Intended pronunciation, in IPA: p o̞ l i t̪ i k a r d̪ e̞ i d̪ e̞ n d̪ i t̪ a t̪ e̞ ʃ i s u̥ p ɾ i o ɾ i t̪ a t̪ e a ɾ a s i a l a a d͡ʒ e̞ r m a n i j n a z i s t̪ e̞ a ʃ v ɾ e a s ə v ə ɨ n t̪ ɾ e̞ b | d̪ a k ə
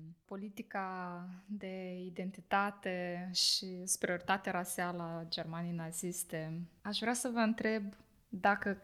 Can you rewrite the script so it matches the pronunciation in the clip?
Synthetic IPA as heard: p o̞ l i t̪ i k a d̪ e̞ i d̪ e̞ n t̪ i t̪ a t̪ e̞ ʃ i s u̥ p ɾ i o ɾ i t̪ a t̪ e a ɾ a s i a l ə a d͡ʒ e̞ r m a n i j n a z i s t̪ e̞ a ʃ v ɾ e a s ə v ə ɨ n t̪ ɾ e̞ b | d̪ a k ə